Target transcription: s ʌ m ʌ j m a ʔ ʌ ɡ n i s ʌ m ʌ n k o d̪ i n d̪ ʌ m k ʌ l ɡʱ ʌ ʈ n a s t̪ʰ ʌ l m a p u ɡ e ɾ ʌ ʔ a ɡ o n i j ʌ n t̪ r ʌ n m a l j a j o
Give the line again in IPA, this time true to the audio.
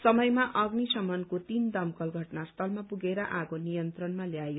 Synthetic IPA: s ʌ m ʌ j m a ʔ ʌ ɡ n i s ʌ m ʌ n k o t̪ i n d̪ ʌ m k ʌ l ɡʱ ʌ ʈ n a s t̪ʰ ʌ l m a p u ɡ e ɾ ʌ ʔ a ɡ o n i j ʌ n t̪ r ʌ n m a l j a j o